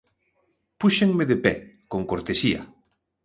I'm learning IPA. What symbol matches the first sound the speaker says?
p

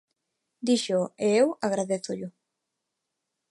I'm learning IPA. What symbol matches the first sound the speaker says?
d̪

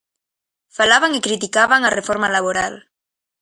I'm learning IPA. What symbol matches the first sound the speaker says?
f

